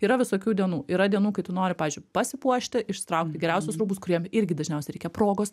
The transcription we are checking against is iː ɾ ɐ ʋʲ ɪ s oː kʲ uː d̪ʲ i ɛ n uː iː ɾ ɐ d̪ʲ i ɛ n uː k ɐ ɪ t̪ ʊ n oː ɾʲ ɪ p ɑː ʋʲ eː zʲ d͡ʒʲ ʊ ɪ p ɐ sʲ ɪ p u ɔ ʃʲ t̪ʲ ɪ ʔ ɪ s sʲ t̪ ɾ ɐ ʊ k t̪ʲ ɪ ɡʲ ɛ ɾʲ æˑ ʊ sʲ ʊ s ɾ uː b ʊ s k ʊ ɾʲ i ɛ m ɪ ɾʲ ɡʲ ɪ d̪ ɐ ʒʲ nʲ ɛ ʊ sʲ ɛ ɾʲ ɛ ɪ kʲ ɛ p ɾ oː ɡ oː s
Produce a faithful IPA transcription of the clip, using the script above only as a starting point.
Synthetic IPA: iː ɾ ɐ ʋʲ ɪ s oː kʲ uː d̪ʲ i ɛ n uː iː ɾ ɐ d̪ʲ i ɛ n uː k ɐ ɪ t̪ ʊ n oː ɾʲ ɪ p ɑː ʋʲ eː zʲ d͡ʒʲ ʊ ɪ p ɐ sʲ ɪ p u ɔ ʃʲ t̪ʲ ɪ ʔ ɪ ʃ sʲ t̪ ɾ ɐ ʊ k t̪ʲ ɪ ɡʲ ɛ ɾʲ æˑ ʊ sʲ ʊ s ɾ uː b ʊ s k ʊ ɾʲ i ɛ m ɪ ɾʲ ɡʲ ɪ d̪ ɐ ʒʲ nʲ ɛ ʊ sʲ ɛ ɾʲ ɛ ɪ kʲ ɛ p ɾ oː ɡ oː s